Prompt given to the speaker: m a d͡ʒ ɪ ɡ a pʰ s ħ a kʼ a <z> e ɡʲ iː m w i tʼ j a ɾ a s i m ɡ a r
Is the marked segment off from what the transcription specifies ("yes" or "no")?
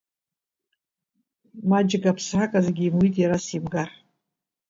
no